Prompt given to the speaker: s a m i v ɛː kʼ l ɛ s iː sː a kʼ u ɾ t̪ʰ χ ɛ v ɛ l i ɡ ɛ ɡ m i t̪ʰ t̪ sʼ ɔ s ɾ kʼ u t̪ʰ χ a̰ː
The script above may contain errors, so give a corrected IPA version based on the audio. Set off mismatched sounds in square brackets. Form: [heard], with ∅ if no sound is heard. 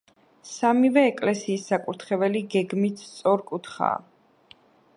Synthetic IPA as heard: s a m i v ɛː kʼ l ɛ s iː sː a kʼ u ɾ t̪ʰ χ ɛ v ɛ l i ɡ ɛ ɡ m i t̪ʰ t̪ sʼ ɔ [∅] ɾ kʼ u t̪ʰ χ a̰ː

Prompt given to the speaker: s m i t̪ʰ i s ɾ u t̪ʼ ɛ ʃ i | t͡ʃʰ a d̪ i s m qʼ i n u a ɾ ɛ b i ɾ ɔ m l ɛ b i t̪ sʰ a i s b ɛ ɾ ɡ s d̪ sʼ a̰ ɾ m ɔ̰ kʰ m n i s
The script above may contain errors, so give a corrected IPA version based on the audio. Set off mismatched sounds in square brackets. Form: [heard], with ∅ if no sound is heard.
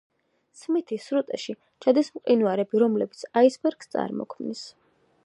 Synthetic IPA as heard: s m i t̪ʰ i s ɾ u t̪ʼ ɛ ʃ i | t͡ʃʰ a d̪ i s m qʼ i n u a ɾ ɛ b i ɾ ɔ m l ɛ b i t̪ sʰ a i s b ɛ ɾ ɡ s [t̪] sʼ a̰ ɾ m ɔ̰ kʰ m n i s

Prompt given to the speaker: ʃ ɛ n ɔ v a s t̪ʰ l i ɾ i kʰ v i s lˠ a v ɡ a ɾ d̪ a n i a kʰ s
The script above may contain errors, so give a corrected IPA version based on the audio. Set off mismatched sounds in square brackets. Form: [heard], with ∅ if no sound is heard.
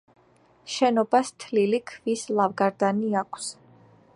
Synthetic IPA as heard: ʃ ɛ n ɔ [b] a s t̪ʰ l i [l] i kʰ v i s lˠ a v ɡ a ɾ d̪ a n i a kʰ s

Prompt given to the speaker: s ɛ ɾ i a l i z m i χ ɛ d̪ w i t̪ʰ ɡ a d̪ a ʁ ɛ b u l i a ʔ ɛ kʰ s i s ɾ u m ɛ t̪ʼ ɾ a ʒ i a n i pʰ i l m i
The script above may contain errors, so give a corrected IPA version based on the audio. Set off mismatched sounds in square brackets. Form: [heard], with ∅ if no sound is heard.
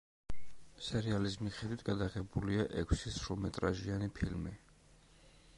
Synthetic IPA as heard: s ɛ ɾ i a l i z m i χ ɛ d̪ w i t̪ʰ ɡ a d̪ a ʁ ɛ b u l i a ʔ ɛ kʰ s i s ɾ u m ɛ t̪ʼ ɾ a ʒ i a n i pʰ i l m i

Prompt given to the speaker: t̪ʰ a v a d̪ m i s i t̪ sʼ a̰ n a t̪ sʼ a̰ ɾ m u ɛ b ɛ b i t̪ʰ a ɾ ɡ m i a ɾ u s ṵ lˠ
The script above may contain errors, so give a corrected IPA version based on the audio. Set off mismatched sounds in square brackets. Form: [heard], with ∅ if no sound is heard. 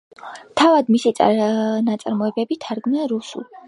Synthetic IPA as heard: t̪ʰ a v a d̪ m i s i t̪ sʼ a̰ n a t̪ sʼ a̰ ɾ m [ɔ] ɛ b ɛ b i t̪ʰ a ɾ ɡ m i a ɾ u s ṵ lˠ

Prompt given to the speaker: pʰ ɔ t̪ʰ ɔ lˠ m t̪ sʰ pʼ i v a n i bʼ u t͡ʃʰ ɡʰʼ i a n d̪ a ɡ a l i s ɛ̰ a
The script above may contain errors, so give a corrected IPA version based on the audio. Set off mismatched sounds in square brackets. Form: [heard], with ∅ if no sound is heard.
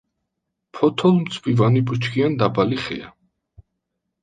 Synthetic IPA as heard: pʰ ɔ t̪ʰ ɔ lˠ m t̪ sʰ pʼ i v a n i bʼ u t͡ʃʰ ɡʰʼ i a n d̪ a [b] a l i [χ] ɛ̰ a

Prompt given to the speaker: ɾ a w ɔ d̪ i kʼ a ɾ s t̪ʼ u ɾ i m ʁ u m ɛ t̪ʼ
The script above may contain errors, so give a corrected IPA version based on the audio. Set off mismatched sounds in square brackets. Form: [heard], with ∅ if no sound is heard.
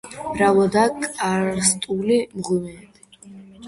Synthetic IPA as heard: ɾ a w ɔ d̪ [a] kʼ a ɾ s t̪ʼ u [l] i m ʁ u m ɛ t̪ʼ

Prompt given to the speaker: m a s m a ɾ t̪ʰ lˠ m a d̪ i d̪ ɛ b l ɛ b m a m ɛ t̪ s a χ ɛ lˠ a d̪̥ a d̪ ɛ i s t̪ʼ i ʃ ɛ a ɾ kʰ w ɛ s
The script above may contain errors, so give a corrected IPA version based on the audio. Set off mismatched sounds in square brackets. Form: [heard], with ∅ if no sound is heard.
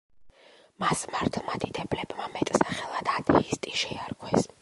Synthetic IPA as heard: m a s m a ɾ t̪ʰ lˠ m a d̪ i d̪ ɛ b l ɛ b m a m ɛ [t̪ʼ] s a χ ɛ lˠ a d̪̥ a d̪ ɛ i s t̪ʼ i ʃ ɛ a ɾ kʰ w ɛ s

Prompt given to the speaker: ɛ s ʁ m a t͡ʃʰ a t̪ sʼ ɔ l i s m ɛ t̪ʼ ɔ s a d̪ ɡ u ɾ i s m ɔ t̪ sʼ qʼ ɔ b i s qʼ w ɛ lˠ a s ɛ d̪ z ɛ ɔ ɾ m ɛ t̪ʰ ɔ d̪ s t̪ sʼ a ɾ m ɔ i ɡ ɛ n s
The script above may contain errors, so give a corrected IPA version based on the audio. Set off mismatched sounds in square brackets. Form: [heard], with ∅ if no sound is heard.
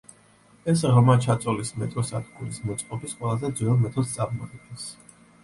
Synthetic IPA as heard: ɛ s ʁ m a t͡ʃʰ a t̪ sʼ ɔ l i s m ɛ t̪ʼ ɔ s a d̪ ɡ u ɾ i s m ɔ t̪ sʼ qʼ ɔ b i s qʼ w ɛ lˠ a [z] ɛ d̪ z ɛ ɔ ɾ m ɛ t̪ʰ ɔ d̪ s t̪ sʼ a ɾ m ɔ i ɡ ɛ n s

